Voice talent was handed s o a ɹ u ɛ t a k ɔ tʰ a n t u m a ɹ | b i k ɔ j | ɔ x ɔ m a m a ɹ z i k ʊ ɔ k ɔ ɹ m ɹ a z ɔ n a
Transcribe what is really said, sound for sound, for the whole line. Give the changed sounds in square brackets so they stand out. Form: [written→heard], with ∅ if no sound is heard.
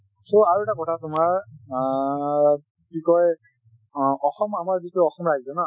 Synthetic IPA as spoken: s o a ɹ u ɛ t a k ɔ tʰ a [n→∅] t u m a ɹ | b i k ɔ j | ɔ x ɔ m a m a ɹ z i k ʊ ɔ [k→x] ɔ [ɹ→∅] m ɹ a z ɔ n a